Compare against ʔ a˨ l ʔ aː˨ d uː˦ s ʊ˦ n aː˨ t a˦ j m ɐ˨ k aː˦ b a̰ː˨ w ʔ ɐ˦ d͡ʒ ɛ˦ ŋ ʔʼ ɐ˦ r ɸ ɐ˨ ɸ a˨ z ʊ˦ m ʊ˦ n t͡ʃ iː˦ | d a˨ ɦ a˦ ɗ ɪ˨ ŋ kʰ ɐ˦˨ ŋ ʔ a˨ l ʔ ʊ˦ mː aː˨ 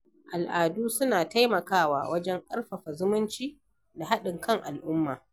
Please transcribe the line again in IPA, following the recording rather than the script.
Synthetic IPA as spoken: ʔ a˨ l ʔ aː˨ d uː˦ s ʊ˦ n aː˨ t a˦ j m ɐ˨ k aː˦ w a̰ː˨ w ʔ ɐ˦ d͡ʒ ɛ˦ ŋ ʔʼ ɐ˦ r ɸ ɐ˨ ɸ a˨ z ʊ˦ m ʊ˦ n t͡ʃ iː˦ | d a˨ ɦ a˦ ɗ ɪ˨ ŋ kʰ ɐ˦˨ ŋ ʔ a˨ l ʔ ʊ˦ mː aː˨